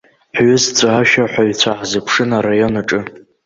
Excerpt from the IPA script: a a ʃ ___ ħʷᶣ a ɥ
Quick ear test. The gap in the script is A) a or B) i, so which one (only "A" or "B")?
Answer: A